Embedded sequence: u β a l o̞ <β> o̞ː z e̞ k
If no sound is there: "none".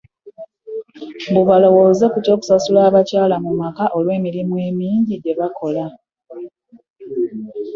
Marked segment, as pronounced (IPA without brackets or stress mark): w